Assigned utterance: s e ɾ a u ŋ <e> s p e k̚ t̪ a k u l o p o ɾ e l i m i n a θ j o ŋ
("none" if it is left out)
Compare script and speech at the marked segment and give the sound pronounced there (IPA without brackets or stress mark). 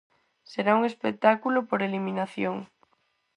e